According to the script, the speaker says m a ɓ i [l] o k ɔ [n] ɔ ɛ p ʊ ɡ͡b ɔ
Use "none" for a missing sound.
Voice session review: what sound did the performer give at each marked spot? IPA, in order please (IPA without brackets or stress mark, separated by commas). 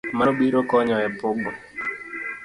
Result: ɾ, ɲ